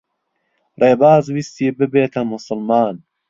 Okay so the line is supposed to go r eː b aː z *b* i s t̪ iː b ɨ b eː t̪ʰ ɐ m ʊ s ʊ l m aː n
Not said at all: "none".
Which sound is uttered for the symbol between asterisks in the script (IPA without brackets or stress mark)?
w